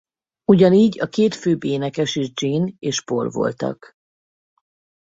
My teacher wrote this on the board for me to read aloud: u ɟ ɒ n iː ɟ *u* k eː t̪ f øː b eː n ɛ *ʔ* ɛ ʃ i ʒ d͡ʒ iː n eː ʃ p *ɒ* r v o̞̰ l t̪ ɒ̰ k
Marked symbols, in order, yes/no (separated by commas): no, no, no